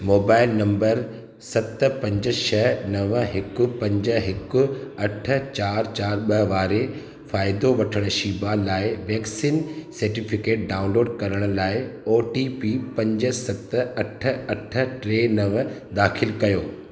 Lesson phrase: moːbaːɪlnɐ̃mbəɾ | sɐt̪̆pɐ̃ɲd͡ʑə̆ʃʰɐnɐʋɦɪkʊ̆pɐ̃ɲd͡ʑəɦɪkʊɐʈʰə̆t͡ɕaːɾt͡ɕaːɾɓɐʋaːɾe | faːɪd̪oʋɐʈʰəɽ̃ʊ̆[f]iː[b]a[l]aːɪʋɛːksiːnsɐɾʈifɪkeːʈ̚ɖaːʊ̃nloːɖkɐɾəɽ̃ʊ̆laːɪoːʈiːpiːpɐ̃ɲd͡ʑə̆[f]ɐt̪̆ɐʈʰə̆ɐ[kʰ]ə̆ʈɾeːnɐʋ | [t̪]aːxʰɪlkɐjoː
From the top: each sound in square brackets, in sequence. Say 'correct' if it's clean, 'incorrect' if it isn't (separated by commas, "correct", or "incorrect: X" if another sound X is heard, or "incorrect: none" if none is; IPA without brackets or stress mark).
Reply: incorrect: ʃ, correct, correct, incorrect: s, incorrect: ʈʰ, incorrect: d̪